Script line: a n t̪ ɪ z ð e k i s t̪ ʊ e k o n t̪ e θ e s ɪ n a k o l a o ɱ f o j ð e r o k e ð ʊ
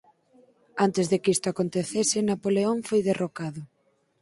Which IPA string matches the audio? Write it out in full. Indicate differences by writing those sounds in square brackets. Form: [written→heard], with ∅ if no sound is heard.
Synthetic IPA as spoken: a n t̪ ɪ z ð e k i s t̪ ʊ [e→a] k o n t̪ e θ e s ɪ n a [k→p] o l [a→e] o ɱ f o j ð e r o k [e→a] ð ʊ